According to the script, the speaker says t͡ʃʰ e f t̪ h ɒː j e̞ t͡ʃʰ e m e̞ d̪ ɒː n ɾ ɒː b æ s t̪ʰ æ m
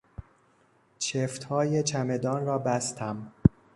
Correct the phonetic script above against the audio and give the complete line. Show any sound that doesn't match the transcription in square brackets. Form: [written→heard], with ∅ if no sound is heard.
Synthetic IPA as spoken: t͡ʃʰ e f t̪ h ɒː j e̞ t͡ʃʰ [e→æ] m e̞ d̪ ɒː n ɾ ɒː b æ s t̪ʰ æ m

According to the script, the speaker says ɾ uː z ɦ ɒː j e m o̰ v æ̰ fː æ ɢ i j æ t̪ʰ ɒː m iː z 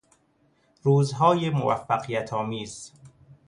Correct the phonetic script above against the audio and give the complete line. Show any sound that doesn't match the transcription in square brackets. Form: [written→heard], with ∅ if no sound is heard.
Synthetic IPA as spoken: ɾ uː z ɦ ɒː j e m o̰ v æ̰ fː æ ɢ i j æ t̪ʰ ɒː m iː z

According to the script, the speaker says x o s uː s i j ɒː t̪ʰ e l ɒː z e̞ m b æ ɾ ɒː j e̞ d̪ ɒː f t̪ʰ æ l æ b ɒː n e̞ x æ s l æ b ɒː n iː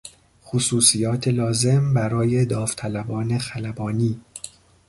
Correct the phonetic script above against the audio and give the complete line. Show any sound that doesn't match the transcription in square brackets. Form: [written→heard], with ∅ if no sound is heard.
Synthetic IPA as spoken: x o s uː s i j ɒː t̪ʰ e l ɒː z e̞ m b æ ɾ ɒː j e̞ d̪ ɒː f t̪ʰ æ l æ b ɒː n e̞ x æ [s→∅] l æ b ɒː n iː

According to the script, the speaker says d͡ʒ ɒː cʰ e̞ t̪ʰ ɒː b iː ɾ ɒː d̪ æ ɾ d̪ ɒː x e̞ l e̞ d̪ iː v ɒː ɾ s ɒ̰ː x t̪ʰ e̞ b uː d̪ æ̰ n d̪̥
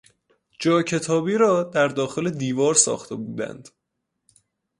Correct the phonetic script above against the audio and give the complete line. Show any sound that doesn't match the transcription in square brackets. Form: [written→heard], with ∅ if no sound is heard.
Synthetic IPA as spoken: d͡ʒ ɒː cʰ e̞ t̪ʰ ɒː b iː ɾ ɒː d̪ æ ɾ d̪ ɒː x e̞ l e̞ d̪ iː v ɒː ɾ s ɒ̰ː x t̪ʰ e̞ b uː d̪ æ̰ n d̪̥

